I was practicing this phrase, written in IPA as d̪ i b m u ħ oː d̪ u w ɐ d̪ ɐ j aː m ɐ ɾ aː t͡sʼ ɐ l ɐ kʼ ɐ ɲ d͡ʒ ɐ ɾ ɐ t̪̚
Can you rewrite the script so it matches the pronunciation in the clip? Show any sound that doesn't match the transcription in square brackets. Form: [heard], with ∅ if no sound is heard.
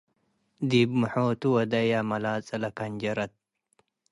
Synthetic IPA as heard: d̪ i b m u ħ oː [t̪] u w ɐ d̪ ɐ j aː m ɐ [l] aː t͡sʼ ɐ l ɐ [k] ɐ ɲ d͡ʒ ɐ ɾ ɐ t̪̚